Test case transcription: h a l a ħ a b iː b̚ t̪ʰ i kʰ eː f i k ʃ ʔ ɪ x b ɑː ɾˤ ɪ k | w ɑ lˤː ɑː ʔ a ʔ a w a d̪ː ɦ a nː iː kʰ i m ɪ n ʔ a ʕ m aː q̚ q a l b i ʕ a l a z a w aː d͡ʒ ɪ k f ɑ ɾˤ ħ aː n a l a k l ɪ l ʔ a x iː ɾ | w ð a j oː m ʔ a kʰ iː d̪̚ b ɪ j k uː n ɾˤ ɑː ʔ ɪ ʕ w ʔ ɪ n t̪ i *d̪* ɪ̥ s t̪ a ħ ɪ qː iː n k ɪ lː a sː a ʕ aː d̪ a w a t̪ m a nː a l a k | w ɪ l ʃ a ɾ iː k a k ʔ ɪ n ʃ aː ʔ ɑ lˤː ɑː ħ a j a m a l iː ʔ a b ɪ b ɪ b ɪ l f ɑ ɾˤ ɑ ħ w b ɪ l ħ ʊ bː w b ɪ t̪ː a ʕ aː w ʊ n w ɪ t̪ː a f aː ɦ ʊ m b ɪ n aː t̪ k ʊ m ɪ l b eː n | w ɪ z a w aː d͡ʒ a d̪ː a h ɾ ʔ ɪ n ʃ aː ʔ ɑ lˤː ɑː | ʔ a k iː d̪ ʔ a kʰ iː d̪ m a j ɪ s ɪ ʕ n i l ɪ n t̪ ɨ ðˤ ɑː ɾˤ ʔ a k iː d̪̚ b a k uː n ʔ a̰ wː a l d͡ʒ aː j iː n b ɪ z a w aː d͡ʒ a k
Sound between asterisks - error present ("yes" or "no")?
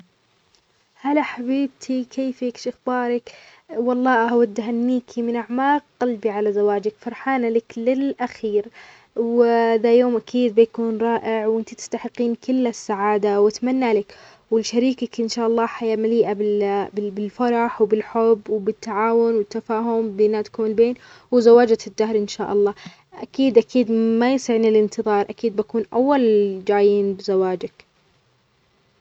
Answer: yes